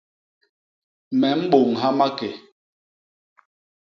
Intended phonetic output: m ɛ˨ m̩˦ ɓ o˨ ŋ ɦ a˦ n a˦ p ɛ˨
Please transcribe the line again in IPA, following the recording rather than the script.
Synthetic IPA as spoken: m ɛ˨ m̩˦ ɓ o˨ ŋ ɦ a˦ m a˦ k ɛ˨